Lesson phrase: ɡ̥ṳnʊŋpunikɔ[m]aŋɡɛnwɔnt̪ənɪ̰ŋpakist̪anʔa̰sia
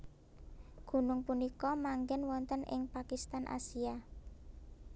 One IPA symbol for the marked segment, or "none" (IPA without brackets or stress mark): m